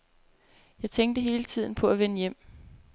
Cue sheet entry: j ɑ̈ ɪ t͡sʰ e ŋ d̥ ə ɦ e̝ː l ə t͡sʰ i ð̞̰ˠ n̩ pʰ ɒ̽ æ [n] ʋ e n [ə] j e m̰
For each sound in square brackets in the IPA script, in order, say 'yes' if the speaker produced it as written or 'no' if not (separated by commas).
no, yes